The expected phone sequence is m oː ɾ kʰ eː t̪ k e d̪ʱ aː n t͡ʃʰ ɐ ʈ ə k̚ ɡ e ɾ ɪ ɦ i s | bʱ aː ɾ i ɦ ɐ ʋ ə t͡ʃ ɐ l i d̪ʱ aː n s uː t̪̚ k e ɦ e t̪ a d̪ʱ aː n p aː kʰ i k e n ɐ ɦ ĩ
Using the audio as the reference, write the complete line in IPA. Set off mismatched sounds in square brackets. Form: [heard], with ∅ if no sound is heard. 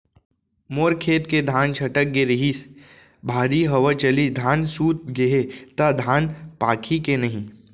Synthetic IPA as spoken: m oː ɾ kʰ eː t̪ k e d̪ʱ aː n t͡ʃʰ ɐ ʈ ə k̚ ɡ e ɾ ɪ ɦ i s | bʱ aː ɾ i ɦ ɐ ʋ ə t͡ʃ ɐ l i d̪ʱ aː n s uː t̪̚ [ɡ] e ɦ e t̪ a d̪ʱ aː n p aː kʰ i k e n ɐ ɦ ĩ